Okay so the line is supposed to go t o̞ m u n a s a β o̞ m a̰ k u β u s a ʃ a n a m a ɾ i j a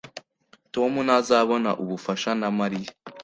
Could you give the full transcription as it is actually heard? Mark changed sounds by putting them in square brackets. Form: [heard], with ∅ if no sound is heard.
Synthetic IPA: t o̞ m u n a [z] a β o̞ [n] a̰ [ʔ] u β u [f] a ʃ a n a m a ɾ i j a

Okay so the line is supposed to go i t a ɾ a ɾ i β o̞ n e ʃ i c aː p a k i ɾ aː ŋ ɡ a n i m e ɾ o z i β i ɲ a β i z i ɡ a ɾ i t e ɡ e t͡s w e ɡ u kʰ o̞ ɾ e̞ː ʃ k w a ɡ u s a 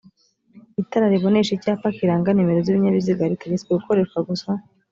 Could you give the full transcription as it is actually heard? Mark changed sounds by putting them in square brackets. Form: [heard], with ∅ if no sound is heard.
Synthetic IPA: i t a ɾ a ɾ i β o̞ n e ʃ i c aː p a k i ɾ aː ŋ ɡ a n i m e ɾ o z i β i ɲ a β i z i ɡ a ɾ i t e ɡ e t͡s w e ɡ u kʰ o̞ ɾ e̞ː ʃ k w a ɡ u s a

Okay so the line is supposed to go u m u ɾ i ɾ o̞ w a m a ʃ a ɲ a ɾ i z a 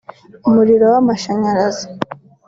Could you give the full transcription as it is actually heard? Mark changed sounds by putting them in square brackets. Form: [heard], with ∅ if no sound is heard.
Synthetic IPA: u m u ɾ i ɾ o̞ w a m a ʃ a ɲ a ɾ [a] z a

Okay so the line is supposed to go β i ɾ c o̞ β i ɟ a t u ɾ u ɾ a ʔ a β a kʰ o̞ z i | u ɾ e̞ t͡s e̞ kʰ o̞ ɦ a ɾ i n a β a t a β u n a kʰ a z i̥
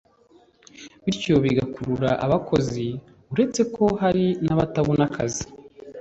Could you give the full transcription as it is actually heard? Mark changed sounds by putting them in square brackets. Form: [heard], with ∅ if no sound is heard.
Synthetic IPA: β i ɾ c o̞ β i [ɡ] a [k] u ɾ u ɾ a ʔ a β a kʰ o̞ z i | u ɾ e̞ t͡s e̞ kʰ o̞ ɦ a ɾ i n a β a t a β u n a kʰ a z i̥

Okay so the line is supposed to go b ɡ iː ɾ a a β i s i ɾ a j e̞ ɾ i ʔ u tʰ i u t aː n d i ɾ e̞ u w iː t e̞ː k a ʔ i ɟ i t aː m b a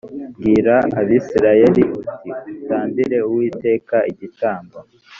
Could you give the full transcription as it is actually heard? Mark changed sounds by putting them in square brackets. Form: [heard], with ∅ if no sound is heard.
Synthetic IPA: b ɡ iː ɾ a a β i s i ɾ a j e̞ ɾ i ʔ u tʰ i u t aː n d i ɾ e̞ u w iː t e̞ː k a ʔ i ɟ i t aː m b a

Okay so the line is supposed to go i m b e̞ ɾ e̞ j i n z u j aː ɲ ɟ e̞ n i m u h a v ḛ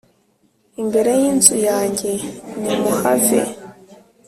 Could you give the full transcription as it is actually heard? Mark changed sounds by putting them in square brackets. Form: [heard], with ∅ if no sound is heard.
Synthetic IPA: i m b e̞ ɾ e̞ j i n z u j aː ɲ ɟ e̞ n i m u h a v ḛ

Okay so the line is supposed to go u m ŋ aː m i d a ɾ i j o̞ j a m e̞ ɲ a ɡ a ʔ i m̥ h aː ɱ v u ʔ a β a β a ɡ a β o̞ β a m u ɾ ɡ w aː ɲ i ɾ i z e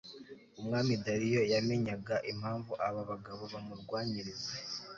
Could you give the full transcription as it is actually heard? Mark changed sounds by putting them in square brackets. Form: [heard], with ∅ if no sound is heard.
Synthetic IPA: u m ŋ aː m i d a ɾ i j o̞ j a m e̞ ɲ a ɡ a ʔ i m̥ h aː ɱ v u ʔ a β a β a ɡ a β o̞ β a m u ɾ ɡ w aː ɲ i ɾ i z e

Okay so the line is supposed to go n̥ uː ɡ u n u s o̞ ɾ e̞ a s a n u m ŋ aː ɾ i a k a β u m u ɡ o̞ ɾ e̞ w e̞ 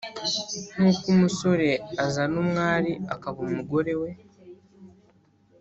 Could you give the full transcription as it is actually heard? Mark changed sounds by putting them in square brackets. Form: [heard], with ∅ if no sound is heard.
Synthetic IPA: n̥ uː [k] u [m] u s o̞ ɾ e̞ a [z] a n u m ŋ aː ɾ i a k a β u m u ɡ o̞ ɾ e̞ w e̞

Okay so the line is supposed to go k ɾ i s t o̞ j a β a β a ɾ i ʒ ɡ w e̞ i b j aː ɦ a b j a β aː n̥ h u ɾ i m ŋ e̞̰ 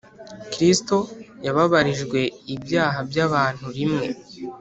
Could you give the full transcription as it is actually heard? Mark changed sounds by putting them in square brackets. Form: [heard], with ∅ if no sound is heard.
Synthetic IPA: k ɾ i s t o̞ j a β a β a ɾ i ʒ ɡ w e̞ i b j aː ɦ a b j a β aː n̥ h u ɾ i m ŋ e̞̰

